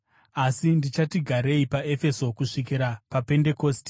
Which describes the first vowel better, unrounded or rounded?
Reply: unrounded